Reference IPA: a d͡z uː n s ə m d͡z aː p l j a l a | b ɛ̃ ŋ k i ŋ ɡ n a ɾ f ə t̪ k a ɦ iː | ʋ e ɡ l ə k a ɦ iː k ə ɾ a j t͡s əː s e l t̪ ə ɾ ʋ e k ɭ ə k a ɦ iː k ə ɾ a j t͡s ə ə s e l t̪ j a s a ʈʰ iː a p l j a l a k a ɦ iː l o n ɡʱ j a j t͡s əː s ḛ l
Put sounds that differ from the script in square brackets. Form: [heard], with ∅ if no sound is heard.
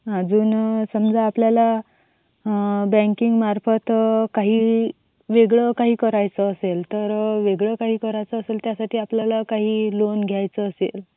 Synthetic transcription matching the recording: a d͡z uː n s ə m d͡z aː p l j a l a | b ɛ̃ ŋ k i ŋ ɡ [m] a ɾ f ə t̪ k a ɦ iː | ʋ e ɡ [ɭ] ə k a ɦ iː k ə ɾ a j t͡s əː s e l t̪ ə ɾ ʋ e [ɡ] ɭ ə k a ɦ iː k ə ɾ a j t͡s ə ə s e l t̪ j a s a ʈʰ iː a p l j a l a k a ɦ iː l o n ɡʱ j a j t͡s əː s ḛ l